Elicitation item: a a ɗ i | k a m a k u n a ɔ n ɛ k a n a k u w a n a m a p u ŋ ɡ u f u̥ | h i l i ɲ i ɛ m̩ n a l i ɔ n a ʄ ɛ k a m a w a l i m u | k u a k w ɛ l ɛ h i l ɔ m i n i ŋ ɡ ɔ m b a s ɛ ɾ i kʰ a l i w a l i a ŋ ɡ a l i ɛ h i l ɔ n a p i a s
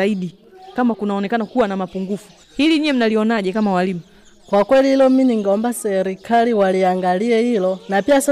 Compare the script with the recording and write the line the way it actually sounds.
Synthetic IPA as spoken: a i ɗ i | k a m a k u n a ɔ n ɛ k a n a k u w a n a m a p u ŋ ɡ u f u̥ | h i l i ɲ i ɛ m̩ n a l i ɔ n a ʄ ɛ k a m a w a l i m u | k w a k w ɛ l i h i l ɔ m i n i ŋ ɡ ɔ m b a s ɛ ɾ i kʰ a l i w a l i a ŋ ɡ a l i ɛ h i l ɔ n a p i a s